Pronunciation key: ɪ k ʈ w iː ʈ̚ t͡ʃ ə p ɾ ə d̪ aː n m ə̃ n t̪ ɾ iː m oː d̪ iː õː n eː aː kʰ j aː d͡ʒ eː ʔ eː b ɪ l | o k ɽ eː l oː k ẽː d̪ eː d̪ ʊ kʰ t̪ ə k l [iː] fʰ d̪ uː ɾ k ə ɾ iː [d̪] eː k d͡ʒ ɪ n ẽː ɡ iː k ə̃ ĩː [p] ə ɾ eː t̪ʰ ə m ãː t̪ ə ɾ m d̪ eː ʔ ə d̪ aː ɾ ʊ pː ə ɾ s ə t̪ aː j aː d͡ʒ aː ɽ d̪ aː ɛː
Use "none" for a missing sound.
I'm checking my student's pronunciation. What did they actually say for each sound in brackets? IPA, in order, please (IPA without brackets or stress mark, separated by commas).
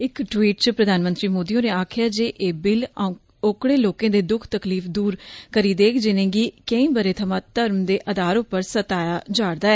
iː, d̪, b